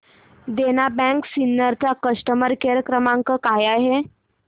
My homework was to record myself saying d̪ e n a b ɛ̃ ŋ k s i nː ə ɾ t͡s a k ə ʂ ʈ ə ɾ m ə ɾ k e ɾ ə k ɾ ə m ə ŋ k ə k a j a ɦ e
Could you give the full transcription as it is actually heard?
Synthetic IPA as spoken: d̪ e n a b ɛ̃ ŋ k s i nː ə ɾ t͡s a k ə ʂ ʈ ə m ə ɾ k e ɾ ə k ɾ ə m a ŋ k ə k a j a ɦ e